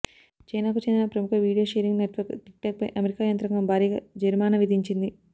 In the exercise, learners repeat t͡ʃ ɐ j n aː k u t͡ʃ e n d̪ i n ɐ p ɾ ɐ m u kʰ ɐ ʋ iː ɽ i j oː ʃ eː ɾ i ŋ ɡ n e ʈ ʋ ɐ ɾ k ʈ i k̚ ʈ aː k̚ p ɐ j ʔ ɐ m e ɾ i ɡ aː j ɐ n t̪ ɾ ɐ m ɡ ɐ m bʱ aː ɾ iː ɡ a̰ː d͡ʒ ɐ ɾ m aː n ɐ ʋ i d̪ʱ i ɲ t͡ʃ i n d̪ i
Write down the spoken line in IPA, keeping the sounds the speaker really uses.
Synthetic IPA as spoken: t͡ʃ ɐ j n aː k u t͡ʃ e n d̪ i n ɐ p ɾ ɐ m u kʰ ɐ ʋ iː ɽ i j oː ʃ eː ɾ i ŋ ɡ n e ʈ ʋ ɐ ɾ k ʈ i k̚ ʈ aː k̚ p ɐ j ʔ ɐ m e ɾ i k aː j ɐ n t̪ ɾ ɐ ŋ ɡ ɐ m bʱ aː ɾ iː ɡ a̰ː d͡ʒ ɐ ɾ m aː n ɐ ʋ i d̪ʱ i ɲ t͡ʃ i n d̪ i